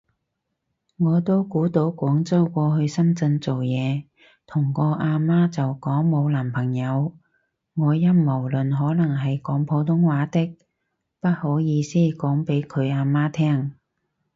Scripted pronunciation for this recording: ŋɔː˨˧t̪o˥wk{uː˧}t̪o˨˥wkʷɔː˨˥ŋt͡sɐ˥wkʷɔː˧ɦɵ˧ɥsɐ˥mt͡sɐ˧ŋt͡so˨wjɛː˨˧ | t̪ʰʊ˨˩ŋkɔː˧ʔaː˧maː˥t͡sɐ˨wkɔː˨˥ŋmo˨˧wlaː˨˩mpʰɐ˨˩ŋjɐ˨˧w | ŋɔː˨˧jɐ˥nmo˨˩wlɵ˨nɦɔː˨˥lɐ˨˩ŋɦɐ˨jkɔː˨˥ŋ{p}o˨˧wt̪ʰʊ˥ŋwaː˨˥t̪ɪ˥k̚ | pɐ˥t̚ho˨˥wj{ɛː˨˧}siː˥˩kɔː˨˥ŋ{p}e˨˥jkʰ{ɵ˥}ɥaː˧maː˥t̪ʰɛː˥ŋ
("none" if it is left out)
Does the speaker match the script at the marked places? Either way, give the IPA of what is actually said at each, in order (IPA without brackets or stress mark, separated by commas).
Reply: uː˨˥, pʰ, iː˨˧, p, ɵ˨˧